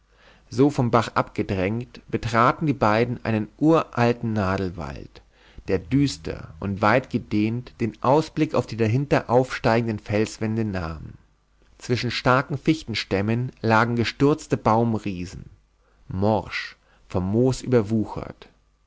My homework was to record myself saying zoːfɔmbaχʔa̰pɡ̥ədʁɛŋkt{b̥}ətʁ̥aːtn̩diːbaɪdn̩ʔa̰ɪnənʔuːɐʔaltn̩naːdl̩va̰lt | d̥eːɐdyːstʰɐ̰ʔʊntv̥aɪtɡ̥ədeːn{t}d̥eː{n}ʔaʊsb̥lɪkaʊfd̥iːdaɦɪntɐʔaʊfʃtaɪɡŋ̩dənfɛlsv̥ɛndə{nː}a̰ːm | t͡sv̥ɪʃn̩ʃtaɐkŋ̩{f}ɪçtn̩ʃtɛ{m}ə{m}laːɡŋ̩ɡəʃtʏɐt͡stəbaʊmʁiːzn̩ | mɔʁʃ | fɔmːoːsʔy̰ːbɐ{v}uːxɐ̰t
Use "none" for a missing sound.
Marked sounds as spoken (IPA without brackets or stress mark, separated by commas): b̥, t, n, n, f, m, n, v